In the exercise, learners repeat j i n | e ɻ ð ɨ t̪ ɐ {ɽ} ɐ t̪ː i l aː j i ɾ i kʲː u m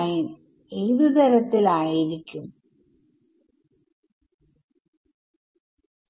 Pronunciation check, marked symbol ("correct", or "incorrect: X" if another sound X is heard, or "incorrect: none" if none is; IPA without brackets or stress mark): incorrect: ɾ